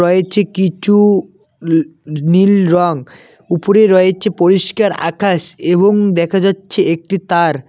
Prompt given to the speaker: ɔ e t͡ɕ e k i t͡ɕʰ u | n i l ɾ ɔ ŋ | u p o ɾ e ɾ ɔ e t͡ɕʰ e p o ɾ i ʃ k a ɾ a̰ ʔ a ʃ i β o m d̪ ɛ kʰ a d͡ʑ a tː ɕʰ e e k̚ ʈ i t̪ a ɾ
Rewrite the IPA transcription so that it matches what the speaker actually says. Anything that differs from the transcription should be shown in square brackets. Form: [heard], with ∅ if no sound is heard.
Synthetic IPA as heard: ɔ e [t͡ɕʰ] e k i t͡ɕʰ u | n i l ɾ ɔ ŋ | u p o ɾ e ɾ ɔ e t͡ɕʰ e p o ɾ i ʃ k a ɾ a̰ [k] a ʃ [e] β o [ŋ] d̪ ɛ kʰ a d͡ʑ a tː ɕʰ e e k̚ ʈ i t̪ a ɾ